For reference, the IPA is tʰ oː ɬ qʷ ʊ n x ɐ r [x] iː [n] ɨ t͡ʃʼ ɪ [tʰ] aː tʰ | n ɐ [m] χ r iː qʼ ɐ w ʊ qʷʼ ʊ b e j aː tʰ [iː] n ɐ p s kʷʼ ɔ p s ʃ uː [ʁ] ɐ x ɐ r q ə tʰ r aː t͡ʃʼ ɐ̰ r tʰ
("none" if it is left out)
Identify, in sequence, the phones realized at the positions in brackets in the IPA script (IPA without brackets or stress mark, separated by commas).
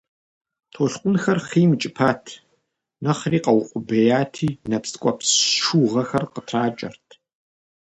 χ, m, pʰ, none, iː, ʁ